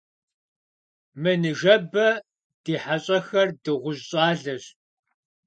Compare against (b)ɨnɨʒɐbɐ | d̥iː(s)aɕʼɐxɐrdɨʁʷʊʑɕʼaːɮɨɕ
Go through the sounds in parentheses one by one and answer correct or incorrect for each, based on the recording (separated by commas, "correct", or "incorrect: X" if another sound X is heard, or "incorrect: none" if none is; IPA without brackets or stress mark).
incorrect: m, incorrect: ħ